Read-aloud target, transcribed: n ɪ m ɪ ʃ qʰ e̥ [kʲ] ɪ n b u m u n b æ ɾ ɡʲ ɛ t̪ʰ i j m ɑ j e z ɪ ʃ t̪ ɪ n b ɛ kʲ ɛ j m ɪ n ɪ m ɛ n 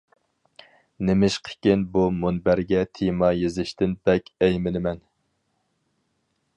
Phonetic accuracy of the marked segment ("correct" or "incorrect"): correct